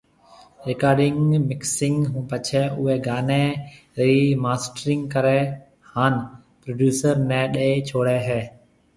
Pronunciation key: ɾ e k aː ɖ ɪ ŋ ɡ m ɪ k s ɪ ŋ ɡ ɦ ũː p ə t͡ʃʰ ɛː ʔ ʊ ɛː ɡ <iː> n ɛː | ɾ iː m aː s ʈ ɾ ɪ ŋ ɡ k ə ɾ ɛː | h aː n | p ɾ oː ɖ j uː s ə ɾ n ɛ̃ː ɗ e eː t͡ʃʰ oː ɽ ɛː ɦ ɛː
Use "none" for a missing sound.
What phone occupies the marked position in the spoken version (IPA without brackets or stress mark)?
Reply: aː